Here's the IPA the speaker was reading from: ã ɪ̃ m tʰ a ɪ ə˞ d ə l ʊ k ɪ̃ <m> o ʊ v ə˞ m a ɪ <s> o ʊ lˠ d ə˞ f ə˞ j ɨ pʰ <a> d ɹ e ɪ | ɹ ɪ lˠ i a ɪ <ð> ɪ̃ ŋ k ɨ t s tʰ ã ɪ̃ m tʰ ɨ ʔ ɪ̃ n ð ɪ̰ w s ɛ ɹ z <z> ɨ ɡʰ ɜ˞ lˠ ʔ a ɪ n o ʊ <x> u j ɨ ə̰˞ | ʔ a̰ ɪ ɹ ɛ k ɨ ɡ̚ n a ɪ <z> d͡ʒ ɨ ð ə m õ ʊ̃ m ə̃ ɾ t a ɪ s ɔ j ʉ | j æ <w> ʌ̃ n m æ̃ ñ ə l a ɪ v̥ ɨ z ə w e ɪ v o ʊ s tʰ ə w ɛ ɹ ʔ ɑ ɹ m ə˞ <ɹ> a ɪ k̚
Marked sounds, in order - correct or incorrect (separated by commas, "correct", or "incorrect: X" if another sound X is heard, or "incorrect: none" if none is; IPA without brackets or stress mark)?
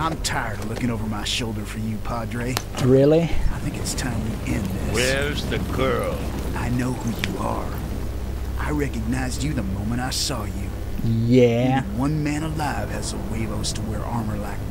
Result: incorrect: ŋ, incorrect: ʃ, incorrect: ɑ, incorrect: θ, incorrect: ð, incorrect: h, correct, correct, incorrect: l